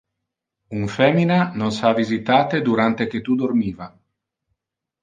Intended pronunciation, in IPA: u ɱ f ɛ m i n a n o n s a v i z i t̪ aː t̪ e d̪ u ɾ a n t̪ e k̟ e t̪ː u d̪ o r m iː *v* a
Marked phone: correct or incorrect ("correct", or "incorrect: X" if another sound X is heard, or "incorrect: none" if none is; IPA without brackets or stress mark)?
correct